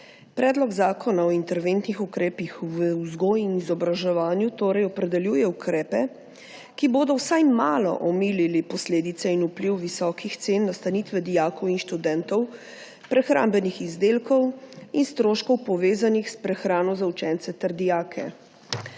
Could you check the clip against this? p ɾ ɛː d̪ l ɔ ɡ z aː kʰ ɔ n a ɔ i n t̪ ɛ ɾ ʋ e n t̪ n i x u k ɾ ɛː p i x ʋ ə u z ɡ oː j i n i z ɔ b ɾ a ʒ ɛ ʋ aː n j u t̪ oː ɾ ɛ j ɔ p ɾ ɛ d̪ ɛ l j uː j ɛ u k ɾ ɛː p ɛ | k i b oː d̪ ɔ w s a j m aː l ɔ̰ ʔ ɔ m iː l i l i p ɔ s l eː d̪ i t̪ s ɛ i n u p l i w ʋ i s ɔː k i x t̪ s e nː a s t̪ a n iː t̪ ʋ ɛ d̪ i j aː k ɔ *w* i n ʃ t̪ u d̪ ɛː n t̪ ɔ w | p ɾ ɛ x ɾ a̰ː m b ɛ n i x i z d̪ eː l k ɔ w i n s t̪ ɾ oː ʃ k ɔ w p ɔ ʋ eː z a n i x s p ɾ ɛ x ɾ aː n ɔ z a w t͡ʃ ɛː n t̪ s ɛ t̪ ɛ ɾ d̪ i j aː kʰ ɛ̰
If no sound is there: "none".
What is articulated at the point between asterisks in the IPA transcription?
w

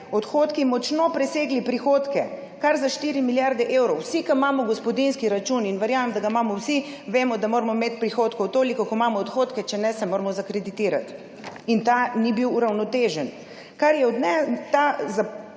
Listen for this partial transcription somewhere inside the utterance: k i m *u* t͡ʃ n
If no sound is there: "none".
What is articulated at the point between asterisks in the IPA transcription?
ɔ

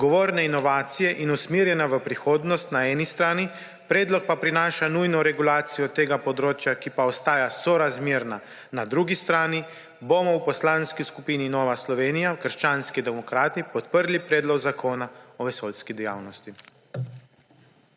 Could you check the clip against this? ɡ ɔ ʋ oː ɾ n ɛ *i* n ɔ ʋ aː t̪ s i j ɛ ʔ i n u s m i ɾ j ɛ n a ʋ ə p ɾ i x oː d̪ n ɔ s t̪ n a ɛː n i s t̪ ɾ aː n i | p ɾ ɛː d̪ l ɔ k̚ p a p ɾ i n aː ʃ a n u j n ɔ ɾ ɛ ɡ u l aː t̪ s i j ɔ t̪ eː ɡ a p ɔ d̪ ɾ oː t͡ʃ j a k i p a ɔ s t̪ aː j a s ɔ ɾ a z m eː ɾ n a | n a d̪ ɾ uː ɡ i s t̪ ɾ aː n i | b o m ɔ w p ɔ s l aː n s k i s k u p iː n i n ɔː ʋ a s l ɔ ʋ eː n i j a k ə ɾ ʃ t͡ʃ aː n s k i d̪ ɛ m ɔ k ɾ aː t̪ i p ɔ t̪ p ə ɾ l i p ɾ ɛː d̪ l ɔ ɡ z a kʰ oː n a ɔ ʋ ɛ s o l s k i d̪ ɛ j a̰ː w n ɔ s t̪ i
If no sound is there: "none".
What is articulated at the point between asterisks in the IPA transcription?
i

